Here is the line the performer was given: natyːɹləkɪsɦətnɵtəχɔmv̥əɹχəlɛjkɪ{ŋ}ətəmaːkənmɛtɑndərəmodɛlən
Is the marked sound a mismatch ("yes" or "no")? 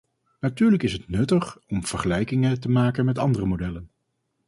no